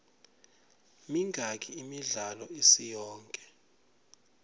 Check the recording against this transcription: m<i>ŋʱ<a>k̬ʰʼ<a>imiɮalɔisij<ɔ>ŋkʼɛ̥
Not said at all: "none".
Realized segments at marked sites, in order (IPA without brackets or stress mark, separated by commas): i, a, i, ɔː